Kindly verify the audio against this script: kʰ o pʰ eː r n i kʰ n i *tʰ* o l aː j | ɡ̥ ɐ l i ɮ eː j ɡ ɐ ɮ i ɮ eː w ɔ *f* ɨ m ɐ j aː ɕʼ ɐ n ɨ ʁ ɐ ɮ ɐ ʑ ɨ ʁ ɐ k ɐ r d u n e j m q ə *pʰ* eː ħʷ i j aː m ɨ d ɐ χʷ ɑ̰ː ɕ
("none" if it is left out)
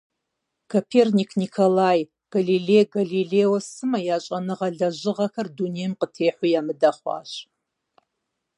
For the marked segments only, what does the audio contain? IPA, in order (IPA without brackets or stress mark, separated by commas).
kʰ, s, tʰ